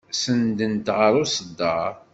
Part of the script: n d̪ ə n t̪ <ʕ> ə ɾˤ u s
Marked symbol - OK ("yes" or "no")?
no